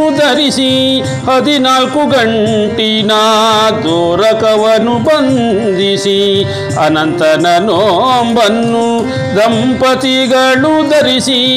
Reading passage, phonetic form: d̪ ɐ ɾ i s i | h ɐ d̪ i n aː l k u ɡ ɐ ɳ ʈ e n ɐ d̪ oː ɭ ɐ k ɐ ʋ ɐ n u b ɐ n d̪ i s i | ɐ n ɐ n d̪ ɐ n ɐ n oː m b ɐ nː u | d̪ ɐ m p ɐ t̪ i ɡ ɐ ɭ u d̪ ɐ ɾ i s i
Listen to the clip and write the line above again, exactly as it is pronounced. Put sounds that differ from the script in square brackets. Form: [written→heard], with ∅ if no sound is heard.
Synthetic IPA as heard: d̪ ɐ ɾ i s i | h ɐ d̪ i n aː l k u ɡ ɐ ɳ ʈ [e→i] n ɐ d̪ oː [ɭ→ɾ] ɐ k ɐ ʋ ɐ n u b ɐ n d̪ i s i | ɐ n ɐ n [d̪→t̪] ɐ n ɐ n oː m b ɐ nː u | d̪ ɐ m p ɐ t̪ i ɡ ɐ ɭ u d̪ ɐ ɾ i s i